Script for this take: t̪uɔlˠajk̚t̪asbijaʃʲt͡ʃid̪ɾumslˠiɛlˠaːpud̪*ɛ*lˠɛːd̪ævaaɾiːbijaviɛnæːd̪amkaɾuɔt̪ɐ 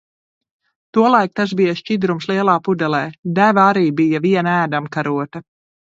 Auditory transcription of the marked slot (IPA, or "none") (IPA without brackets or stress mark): ɛ